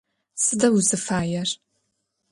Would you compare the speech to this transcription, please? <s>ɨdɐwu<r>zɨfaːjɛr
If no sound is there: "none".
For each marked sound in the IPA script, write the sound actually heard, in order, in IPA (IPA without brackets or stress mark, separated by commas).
s, none